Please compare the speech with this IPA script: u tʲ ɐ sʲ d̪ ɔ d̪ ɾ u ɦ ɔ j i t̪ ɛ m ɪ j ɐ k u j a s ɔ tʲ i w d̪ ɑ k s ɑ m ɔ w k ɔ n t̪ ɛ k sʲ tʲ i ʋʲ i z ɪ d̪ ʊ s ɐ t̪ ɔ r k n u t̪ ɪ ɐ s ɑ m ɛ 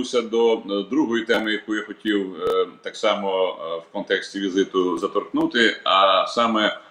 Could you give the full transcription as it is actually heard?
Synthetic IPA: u sʲ ɐ d̪ ɔ d̪ ɾ u ɦ ɔ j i t̪ ɛ m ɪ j ɐ k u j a x ɔ tʲ i w t̪ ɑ k s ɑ m ɔ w k ɔ n t̪ ɛ k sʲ tʲ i ʋʲ i z ɪ t̪ ʊ z ɐ t̪ ɔ r k n u t̪ ɪ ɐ s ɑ m ɛ